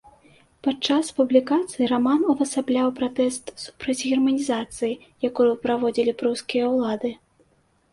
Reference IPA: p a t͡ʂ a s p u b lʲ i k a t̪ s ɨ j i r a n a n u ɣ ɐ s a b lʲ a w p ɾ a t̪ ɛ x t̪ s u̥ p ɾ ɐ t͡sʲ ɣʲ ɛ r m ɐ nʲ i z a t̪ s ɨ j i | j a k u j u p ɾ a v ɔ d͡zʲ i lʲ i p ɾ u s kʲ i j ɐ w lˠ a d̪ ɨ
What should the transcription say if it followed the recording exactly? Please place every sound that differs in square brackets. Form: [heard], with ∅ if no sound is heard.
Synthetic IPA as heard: p a t͡ʂ a s p u b lʲ i k a t̪ s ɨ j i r a [m] a n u [v] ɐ s a b lʲ a w p ɾ a t̪ ɛ [s] t̪ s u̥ p ɾ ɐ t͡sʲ ɣʲ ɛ r m ɐ nʲ i z a t̪ s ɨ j i | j a k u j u p ɾ a v ɔ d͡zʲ i lʲ i p ɾ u s kʲ i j ɐ w lˠ a d̪ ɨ